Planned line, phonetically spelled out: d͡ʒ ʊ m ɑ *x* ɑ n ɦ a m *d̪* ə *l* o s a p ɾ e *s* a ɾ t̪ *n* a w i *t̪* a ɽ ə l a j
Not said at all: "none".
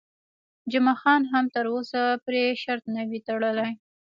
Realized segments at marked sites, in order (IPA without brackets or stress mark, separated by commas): x, t̪, ɾ, ʃ, n, t̪